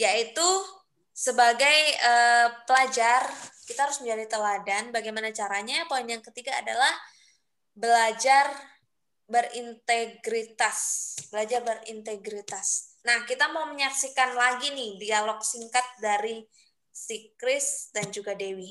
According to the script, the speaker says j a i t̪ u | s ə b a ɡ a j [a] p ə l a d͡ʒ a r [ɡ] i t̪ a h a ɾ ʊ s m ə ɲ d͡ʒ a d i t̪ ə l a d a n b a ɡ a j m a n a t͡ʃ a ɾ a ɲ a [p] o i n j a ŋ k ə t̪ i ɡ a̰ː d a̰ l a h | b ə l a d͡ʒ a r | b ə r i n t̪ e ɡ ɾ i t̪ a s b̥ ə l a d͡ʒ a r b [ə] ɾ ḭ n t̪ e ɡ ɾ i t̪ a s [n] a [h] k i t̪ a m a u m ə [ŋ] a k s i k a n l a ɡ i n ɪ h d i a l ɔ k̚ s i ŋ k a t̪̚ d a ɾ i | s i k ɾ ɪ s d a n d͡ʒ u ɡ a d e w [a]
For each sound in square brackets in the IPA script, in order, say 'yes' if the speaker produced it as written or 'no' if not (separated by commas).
no, no, yes, yes, yes, yes, no, no